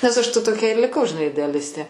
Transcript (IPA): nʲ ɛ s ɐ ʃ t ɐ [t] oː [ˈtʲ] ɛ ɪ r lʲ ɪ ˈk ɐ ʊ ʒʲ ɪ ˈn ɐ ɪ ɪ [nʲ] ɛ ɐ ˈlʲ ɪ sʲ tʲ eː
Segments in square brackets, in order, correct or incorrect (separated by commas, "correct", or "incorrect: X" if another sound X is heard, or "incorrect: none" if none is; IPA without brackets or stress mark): correct, incorrect: kʲ, incorrect: dʲ